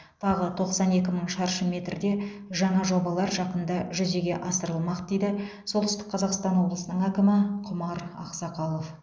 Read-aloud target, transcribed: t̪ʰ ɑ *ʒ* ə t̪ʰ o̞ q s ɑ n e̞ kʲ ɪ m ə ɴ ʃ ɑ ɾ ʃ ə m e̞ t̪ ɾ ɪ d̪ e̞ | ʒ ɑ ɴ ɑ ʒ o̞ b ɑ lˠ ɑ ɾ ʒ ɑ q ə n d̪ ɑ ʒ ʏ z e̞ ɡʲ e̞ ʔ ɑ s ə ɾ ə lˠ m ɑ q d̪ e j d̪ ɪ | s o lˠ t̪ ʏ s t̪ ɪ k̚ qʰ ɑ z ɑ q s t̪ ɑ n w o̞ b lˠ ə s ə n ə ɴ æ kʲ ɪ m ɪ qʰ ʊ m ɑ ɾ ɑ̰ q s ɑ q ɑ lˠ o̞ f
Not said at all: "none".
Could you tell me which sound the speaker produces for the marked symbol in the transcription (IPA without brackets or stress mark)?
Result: ʁ